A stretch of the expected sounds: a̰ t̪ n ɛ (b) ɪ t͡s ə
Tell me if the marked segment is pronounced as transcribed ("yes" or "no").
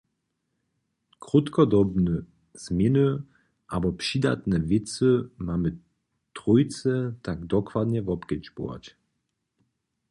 no